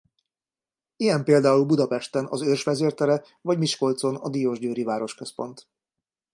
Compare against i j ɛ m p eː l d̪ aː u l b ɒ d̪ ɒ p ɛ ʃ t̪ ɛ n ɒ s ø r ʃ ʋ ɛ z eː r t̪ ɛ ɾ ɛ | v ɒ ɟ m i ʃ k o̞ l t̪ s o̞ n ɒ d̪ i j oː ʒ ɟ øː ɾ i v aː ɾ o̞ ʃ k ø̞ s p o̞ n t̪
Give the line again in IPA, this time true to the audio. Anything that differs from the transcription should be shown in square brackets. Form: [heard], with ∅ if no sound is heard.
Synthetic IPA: i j ɛ m p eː l d̪ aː u l b [u] d̪ ɒ p ɛ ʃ t̪ ɛ n ɒ [z] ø r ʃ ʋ ɛ z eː r t̪ ɛ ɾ ɛ | v ɒ ɟ m i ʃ k o̞ l t̪ s o̞ n ɒ d̪ i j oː ʒ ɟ øː ɾ i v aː ɾ o̞ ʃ k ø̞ s p o̞ n t̪

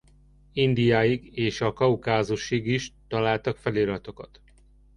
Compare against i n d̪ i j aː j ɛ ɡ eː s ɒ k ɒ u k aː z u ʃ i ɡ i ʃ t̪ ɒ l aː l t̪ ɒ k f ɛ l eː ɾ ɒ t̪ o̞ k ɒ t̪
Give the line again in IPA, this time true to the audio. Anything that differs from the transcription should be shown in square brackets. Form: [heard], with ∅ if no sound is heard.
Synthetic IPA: i n d̪ i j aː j [i] ɡ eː [ʃ] ɒ k ɒ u k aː z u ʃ i ɡ i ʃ t̪ ɒ l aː l t̪ ɒ k f ɛ l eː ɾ ɒ t̪ o̞ k ɒ t̪

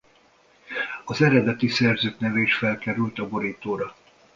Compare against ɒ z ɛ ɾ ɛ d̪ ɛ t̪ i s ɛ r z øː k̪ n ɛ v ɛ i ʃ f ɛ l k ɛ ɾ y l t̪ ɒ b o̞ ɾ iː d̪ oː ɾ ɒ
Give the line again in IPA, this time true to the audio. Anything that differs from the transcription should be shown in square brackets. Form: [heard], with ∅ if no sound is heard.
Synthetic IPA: ɒ z ɛ ɾ ɛ d̪ ɛ t̪ i s ɛ r z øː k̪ n ɛ v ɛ i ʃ f ɛ l k ɛ ɾ y l t̪ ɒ b o̞ ɾ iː [t̪] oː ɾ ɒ

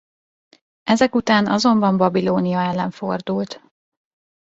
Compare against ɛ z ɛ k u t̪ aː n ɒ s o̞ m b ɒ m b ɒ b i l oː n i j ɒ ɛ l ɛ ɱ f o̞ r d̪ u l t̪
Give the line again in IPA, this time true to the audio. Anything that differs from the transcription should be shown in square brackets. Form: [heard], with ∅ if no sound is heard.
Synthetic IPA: ɛ z ɛ k u t̪ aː n ɒ [z] o̞ m b ɒ m b ɒ b i l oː n i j ɒ ɛ [lː] ɛ ɱ f o̞ r d̪ u l t̪

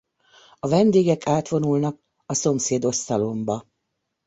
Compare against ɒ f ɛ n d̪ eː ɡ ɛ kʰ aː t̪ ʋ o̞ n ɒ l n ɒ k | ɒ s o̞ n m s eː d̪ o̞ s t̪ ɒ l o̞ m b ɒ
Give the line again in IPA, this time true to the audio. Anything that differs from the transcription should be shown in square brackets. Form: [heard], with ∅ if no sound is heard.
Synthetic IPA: ɒ [v] ɛ n d̪ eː ɡ ɛ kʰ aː t̪ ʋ o̞ n [u] l n ɒ k | ɒ s o̞ [∅] m s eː d̪ o̞ s t̪ ɒ l o̞ m b ɒ

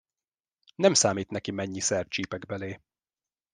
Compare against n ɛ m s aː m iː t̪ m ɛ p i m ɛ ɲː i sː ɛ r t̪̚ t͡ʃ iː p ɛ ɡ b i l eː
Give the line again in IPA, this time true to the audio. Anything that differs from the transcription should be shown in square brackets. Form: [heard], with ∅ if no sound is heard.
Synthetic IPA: n ɛ m s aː m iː t̪ [n] ɛ [k] i m ɛ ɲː i [s] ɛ r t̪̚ t͡ʃ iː p ɛ ɡ b [ɛ] l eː

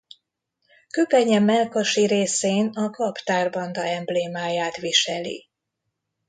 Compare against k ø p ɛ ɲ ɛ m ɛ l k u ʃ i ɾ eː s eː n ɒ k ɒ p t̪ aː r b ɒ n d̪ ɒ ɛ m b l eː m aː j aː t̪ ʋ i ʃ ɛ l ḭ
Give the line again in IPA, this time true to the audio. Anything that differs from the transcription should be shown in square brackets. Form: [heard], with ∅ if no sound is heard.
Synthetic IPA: k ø p ɛ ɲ ɛ m ɛ l k [o] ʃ i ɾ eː s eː n ɒ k ɒ p t̪ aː r b ɒ n d̪ ɒ ɛ m b l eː m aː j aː t̪ ʋ i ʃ ɛ l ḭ

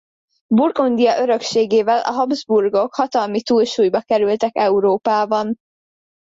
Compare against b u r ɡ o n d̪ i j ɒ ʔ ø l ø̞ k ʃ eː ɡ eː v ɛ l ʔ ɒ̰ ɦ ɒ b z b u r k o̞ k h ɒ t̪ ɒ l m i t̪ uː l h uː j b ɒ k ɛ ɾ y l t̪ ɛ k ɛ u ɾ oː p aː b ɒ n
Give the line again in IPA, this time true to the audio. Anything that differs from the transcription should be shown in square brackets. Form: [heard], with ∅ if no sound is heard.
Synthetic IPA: b u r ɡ o n d̪ i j ɒ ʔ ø [ɾ] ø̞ k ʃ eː ɡ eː v ɛ l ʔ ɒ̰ ɦ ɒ b z b u r [ɡ] o̞ k h ɒ t̪ ɒ l m i t̪ uː l [ʃ] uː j b ɒ k ɛ ɾ y l t̪ ɛ k ɛ u ɾ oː p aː b ɒ n

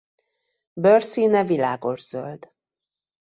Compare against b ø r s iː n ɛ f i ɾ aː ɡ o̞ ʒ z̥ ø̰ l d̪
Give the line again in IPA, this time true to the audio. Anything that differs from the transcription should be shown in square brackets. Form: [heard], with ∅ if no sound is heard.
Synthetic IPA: b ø r s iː n ɛ [v] i [l] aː ɡ o̞ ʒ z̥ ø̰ l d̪

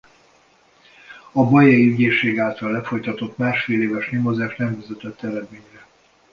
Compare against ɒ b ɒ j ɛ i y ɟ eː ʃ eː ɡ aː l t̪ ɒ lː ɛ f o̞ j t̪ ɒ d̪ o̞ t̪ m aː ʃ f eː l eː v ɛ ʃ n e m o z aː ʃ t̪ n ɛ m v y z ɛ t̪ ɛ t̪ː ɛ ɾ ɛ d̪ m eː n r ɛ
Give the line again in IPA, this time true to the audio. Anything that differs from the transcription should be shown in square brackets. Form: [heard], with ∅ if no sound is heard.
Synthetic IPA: ɒ b ɒ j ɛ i y ɟ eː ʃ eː ɡ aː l t̪ ɒ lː ɛ f o̞ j t̪ ɒ [t̪] o̞ t̪ m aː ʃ f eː l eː v ɛ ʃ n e m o z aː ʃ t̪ n ɛ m v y z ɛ t̪ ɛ t̪ː ɛ ɾ ɛ d̪ m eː [ɲ] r ɛ

